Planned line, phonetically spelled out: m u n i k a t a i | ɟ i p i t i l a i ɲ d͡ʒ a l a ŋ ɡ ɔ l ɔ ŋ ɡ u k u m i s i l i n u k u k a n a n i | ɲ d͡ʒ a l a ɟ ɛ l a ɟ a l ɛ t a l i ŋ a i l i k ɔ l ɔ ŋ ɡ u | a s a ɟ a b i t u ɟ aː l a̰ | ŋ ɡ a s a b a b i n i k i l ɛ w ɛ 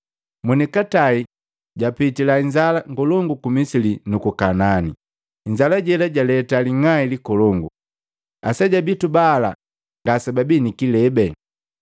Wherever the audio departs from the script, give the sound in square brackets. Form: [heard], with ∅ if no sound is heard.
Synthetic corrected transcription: m u n i k a t a i | ɟ [a] p i t i l a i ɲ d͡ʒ a l a ŋ ɡ ɔ l ɔ ŋ ɡ u k u m i s i l i n u k u k a n a n i | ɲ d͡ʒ a l a ɟ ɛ l a ɟ a l ɛ t a l i ŋ a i l i k ɔ l ɔ ŋ ɡ u | a s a ɟ a b i t u [b] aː l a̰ | ŋ ɡ a s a b a b i n i k i l ɛ [b] ɛ